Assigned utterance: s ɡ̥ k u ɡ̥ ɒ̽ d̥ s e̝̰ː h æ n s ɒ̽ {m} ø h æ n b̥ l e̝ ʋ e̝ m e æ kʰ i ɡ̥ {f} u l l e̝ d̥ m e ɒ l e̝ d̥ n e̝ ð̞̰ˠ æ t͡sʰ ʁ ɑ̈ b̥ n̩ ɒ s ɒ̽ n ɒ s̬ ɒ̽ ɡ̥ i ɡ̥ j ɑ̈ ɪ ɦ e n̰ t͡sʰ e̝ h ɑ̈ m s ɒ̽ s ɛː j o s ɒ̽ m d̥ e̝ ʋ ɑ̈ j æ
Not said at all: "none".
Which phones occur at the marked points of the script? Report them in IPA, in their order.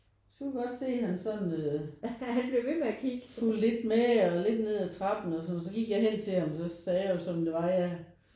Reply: n, f

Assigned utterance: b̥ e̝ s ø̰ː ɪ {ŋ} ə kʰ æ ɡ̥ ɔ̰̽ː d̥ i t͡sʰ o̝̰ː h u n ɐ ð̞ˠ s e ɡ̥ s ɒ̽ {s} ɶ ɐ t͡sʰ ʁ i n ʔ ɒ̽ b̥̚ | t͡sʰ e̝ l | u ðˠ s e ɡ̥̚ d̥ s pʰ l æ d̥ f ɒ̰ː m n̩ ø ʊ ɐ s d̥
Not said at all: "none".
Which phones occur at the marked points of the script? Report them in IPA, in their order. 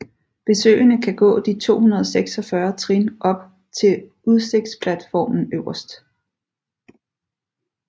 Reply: n, f

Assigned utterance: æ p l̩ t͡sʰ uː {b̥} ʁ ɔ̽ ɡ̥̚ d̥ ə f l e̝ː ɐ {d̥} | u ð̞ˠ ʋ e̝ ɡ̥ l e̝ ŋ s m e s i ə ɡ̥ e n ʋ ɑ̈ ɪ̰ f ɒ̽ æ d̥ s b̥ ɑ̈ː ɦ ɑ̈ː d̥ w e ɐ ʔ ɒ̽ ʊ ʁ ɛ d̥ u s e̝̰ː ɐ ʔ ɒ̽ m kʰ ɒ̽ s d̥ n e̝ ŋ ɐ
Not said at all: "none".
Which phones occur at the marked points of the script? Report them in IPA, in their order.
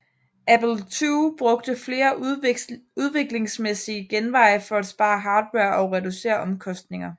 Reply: b̥, none

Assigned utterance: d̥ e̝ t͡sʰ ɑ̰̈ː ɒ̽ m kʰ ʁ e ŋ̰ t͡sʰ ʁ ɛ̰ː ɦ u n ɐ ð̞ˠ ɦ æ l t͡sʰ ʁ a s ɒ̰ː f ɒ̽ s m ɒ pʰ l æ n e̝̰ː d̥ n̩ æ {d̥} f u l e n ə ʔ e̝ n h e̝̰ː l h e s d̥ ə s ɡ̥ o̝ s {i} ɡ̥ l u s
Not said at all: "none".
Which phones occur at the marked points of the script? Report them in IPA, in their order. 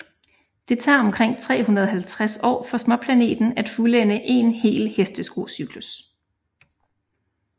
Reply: d̥, y

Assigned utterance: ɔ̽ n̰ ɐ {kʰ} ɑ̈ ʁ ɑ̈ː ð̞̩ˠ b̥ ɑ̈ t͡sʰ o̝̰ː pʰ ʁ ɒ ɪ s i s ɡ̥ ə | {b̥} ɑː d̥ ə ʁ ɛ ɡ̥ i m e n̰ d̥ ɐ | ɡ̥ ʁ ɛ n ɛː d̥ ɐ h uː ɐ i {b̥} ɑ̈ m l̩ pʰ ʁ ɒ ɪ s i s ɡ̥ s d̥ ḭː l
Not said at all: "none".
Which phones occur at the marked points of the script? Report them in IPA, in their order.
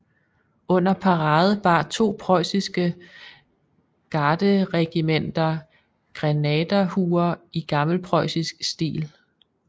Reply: pʰ, ɡ̥, ɡ̥

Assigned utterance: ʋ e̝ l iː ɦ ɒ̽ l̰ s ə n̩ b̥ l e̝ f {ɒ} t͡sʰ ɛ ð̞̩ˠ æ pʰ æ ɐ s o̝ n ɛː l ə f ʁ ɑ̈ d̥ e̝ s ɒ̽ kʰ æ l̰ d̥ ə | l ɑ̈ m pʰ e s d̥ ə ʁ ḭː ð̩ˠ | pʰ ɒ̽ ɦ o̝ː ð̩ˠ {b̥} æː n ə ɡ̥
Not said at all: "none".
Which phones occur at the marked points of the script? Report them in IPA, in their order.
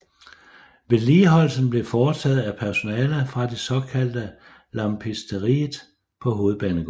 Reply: ɒː, b̥

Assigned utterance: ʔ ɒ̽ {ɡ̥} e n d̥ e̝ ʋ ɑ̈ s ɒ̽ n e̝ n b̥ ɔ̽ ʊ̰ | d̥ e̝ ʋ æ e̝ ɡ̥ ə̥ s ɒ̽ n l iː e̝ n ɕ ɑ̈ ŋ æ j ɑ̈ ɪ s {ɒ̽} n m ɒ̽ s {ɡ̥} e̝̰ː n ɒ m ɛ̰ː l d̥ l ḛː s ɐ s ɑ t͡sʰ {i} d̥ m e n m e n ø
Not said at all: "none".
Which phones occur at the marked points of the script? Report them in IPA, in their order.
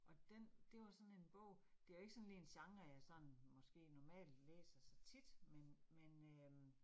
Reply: d̥, ɒ̽, ɡ̥, i

